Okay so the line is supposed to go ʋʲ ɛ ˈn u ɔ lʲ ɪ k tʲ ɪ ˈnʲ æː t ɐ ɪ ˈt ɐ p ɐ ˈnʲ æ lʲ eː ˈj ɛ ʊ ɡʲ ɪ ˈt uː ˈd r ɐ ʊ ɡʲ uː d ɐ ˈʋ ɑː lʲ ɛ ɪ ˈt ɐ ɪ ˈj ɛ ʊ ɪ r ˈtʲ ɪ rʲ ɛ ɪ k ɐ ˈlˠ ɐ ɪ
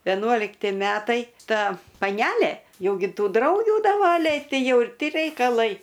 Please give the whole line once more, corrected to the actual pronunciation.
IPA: ʋʲ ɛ ˈn u ɔ lʲ ɪ k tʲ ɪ ˈmʲ æː t ɐ ɪ ˈt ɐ p ɐ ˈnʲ æ lʲ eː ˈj ɛ ʊ ɡʲ ɪ ˈt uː ˈd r ɐ ʊ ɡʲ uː d ɐ ˈʋ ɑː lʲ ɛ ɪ ˈt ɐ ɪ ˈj ɛ ʊ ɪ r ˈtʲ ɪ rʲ ɛ ɪ k ɐ ˈlˠ ɐ ɪ